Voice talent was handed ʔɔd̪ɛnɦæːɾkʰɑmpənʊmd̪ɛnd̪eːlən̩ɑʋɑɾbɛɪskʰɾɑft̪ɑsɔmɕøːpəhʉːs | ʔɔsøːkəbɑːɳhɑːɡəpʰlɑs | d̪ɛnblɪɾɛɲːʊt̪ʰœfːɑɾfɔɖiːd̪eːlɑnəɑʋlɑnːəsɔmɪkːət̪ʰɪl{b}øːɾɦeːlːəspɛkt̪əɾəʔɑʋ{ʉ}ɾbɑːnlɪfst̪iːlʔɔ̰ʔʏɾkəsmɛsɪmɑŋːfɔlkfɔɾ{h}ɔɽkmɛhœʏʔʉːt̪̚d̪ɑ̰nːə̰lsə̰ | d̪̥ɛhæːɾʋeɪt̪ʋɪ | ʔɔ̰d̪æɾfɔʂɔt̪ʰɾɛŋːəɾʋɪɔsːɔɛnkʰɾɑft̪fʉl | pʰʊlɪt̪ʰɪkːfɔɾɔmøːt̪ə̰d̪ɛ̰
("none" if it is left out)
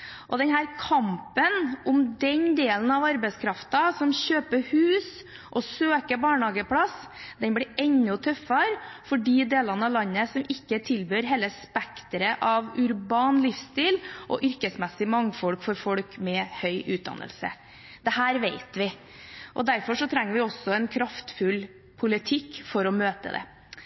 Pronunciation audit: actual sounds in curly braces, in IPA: b, ʉ, f

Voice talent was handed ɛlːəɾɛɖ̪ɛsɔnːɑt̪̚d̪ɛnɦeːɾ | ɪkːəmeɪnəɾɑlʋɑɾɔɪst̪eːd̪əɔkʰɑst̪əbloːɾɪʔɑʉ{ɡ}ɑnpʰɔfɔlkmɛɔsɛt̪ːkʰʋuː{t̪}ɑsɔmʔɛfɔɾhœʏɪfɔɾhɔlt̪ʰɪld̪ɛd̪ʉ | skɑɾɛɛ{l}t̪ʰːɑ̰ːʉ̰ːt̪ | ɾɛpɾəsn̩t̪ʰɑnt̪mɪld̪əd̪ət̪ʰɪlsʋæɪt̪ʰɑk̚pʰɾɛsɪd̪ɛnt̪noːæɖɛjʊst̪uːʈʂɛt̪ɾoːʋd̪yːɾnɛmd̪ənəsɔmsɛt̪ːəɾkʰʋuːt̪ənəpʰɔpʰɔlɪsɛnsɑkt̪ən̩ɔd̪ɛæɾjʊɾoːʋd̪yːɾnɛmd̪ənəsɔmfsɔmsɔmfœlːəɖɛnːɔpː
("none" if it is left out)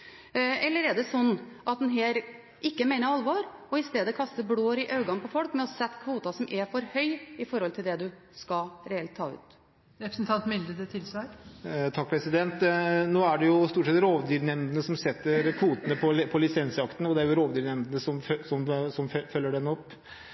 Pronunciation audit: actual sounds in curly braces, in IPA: ɡ, t̪, l

